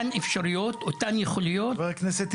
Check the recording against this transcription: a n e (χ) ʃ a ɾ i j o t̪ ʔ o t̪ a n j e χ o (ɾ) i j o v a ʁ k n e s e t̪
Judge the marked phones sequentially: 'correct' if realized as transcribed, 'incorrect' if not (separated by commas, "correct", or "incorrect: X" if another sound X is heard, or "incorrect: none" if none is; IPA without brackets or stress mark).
incorrect: f, incorrect: l